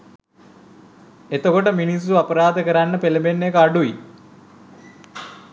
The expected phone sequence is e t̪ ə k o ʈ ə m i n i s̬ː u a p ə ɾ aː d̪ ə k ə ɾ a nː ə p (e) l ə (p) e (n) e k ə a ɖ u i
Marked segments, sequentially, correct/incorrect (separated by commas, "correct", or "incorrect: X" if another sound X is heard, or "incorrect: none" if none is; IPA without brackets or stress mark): correct, incorrect: b, incorrect: nː